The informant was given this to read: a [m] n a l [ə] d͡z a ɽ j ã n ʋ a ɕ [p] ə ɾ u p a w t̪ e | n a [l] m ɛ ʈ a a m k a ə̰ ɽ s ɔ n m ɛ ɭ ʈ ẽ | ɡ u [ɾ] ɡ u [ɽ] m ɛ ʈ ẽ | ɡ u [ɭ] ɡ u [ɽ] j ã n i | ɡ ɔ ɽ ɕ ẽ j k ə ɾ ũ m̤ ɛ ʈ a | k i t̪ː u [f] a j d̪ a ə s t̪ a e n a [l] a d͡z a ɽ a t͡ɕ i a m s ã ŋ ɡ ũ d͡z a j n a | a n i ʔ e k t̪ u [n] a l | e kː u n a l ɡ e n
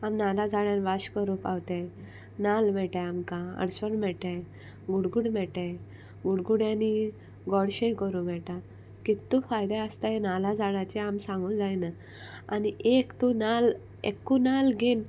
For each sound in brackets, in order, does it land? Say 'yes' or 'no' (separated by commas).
yes, no, no, yes, no, yes, no, yes, yes, yes, yes